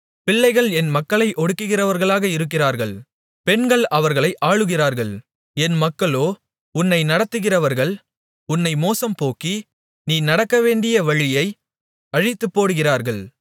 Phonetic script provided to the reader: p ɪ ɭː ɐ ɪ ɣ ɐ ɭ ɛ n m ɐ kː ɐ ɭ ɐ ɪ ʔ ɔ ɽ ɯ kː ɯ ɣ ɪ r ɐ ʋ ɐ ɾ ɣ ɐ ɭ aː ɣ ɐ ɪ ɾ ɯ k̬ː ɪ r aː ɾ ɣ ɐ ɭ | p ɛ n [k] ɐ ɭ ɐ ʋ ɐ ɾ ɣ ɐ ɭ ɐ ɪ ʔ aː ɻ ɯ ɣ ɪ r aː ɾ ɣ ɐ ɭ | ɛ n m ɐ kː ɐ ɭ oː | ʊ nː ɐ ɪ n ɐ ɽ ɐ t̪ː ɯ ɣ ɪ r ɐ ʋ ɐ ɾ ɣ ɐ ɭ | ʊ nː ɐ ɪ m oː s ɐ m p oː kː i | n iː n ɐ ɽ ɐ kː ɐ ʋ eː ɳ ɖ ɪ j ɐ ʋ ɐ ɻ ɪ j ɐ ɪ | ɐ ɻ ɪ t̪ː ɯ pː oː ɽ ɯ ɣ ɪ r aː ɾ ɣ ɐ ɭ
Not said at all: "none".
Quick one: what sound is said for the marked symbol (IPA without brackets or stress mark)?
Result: ɡ